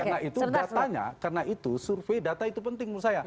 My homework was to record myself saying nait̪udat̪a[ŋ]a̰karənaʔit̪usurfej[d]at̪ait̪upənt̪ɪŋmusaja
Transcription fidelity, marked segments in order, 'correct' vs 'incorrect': incorrect, correct

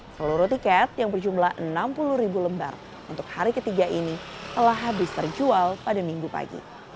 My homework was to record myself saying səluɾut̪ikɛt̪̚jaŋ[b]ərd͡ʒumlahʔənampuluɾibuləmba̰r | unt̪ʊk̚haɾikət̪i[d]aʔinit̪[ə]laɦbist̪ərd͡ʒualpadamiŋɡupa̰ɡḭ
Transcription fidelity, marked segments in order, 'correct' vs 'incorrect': correct, incorrect, correct

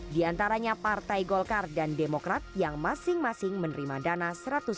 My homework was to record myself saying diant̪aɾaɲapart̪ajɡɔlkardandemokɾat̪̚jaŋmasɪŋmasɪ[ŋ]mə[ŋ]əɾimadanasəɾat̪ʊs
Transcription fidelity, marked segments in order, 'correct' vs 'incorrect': correct, incorrect

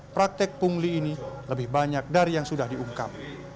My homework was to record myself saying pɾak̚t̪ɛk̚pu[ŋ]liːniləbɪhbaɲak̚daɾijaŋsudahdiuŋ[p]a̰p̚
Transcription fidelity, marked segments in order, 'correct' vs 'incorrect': correct, incorrect

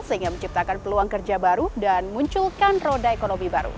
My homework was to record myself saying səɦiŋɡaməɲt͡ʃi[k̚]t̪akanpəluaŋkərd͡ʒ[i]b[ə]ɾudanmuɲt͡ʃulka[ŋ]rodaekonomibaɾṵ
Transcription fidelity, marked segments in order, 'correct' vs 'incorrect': incorrect, incorrect, incorrect, incorrect

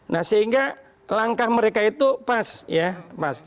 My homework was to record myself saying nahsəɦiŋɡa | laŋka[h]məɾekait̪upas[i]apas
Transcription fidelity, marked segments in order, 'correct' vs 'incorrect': correct, incorrect

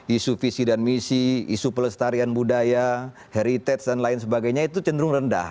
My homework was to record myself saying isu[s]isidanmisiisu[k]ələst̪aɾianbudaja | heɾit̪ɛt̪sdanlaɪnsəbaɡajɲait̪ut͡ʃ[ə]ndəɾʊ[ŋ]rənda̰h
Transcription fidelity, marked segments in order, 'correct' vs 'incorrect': incorrect, incorrect, correct, correct

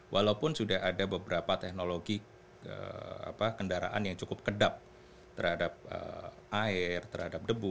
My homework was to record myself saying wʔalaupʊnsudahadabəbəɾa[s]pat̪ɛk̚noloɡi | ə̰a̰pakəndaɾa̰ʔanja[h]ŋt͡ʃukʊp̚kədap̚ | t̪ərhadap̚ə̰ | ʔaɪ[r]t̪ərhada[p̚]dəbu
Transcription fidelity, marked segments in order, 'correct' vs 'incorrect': incorrect, incorrect, correct, correct

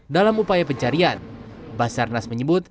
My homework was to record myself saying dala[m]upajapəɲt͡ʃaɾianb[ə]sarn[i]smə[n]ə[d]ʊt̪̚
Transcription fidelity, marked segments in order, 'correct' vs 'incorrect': correct, incorrect, incorrect, incorrect, incorrect

